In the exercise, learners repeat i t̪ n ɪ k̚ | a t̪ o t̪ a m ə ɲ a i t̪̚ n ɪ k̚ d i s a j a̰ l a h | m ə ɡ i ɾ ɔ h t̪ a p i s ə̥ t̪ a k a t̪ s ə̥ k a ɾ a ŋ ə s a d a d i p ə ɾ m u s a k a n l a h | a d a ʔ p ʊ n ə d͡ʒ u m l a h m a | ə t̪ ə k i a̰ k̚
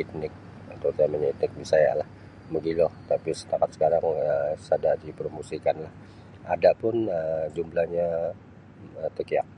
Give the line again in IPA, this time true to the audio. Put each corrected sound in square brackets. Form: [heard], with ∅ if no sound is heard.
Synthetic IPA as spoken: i t̪ n ɪ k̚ | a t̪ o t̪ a m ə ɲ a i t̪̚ n ɪ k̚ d i s a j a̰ l a h | m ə ɡ i [l] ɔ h t̪ a p i s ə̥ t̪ a k a t̪ s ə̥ k a ɾ a ŋ ə s a d a d i p ə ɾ m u s [i] k a n l a h | a d a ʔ p ʊ n ə d͡ʒ u m l a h [ɲ] a | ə t̪ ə k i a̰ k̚

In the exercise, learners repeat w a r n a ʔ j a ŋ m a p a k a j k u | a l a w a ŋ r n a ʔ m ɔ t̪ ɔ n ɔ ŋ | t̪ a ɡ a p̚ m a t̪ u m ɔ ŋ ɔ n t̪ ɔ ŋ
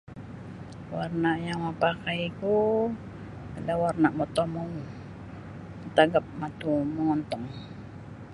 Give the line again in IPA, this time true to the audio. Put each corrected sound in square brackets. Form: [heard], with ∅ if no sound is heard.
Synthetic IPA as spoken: w a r n a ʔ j a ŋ m a p a k a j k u | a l a w a [∅] r n a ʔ m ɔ t̪ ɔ [m] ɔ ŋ | t̪ a ɡ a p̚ m a t̪ u m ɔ ŋ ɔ n t̪ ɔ ŋ

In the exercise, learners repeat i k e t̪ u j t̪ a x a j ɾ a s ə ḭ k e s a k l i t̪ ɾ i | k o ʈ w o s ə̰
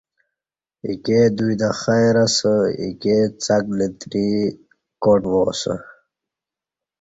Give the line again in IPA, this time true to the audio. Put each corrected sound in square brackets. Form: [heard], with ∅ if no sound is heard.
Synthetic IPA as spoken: i k e [d̪] u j [d̪] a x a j ɾ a s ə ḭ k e [t͡s] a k l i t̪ ɾ i | k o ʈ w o s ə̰

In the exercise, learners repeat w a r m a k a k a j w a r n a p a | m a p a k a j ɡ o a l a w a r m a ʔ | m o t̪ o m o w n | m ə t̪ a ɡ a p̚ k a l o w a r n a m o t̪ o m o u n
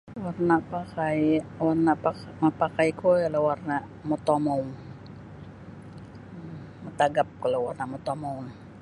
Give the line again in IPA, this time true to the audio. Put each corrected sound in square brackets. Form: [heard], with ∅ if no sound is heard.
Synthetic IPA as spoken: w a r [n] a [p] a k a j w a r n a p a | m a p a k a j [k] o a l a w a r [n] a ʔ | m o t̪ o m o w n | m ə t̪ a ɡ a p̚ k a l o w a r n a m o t̪ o m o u n

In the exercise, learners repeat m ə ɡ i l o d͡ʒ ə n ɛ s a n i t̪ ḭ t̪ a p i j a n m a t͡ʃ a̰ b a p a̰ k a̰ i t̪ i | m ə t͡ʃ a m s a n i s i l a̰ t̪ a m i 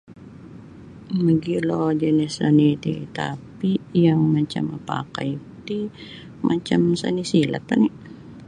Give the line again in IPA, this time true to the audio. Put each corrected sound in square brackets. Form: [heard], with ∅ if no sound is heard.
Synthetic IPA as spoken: m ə ɡ i l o d͡ʒ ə n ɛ s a n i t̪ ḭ t̪ a p i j a [ŋ] m a t͡ʃ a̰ [m] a p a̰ k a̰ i t̪ i | m [a] t͡ʃ a m s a n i s i l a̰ t̪ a [n] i

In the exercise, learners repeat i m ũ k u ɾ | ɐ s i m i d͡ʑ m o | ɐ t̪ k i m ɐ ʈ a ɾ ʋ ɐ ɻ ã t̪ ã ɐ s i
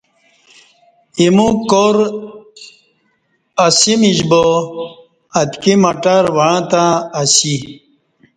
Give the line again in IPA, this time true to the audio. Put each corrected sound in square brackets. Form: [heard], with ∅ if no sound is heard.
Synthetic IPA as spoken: i m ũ k [o] ɾ | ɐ s i m i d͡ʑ [b] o | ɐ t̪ k i m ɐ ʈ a ɾ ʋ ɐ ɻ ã t̪ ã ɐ s i

